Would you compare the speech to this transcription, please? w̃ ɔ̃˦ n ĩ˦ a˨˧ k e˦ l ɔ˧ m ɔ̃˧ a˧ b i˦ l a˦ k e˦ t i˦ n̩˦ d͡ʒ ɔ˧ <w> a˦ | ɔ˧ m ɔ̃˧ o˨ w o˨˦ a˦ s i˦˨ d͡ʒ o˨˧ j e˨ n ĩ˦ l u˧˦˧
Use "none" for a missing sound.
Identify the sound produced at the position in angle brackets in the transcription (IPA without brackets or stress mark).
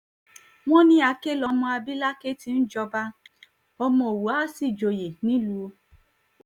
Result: b